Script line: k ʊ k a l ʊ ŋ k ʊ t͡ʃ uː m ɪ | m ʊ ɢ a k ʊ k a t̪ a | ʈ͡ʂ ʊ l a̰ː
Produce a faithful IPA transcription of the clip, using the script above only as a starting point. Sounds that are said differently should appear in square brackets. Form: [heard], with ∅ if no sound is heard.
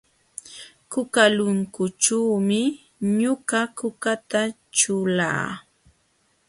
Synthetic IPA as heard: k ʊ k a l ʊ ŋ k ʊ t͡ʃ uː m ɪ | [ɲ] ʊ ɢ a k ʊ k a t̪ a | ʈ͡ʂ ʊ l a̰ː